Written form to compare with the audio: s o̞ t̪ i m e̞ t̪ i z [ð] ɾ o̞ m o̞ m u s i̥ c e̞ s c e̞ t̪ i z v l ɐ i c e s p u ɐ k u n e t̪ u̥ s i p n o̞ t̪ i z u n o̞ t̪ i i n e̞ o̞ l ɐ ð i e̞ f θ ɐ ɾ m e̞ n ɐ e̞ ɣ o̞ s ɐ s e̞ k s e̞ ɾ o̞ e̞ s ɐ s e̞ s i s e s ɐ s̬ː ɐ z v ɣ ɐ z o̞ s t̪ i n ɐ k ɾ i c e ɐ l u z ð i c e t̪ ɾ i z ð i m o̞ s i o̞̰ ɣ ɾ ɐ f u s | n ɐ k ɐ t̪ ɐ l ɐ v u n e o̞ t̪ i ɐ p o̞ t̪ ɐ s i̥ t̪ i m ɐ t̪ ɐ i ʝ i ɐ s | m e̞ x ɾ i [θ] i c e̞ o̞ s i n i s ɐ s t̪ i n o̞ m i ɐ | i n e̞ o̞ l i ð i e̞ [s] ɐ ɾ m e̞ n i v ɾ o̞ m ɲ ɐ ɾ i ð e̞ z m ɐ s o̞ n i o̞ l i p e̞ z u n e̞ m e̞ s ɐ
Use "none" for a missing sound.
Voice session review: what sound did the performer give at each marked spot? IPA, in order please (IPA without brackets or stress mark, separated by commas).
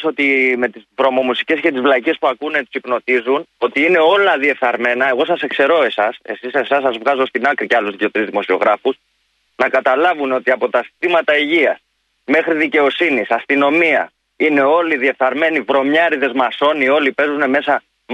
v, ð, θ